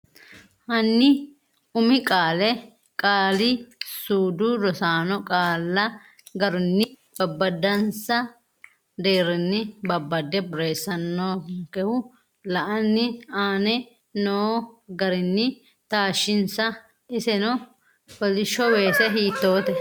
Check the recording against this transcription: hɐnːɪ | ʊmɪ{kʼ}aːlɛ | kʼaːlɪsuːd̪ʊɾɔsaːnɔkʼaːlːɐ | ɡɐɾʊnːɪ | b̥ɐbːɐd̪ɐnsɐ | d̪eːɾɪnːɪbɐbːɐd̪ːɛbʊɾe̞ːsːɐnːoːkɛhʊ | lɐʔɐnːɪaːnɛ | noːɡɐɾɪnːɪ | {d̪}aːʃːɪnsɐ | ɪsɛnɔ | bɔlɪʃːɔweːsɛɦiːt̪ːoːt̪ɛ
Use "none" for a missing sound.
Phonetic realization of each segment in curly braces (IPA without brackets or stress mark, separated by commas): kʼ, t̪